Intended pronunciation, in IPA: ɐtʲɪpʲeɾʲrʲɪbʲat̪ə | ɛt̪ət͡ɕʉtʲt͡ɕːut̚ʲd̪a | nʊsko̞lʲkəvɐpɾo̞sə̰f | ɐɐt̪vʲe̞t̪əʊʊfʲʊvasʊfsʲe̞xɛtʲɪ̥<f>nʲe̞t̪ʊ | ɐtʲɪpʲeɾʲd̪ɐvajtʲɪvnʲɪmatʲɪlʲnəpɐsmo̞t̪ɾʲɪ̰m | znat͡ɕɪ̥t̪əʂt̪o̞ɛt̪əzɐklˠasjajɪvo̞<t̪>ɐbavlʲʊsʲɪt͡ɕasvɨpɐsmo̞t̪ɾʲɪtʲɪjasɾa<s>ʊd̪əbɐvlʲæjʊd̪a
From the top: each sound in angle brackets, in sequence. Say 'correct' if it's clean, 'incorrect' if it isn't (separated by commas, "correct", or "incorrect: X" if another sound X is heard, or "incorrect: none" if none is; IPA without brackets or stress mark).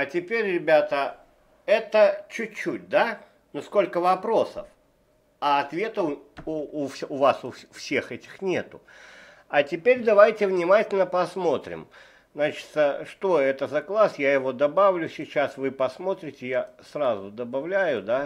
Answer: incorrect: x, incorrect: d̪, incorrect: z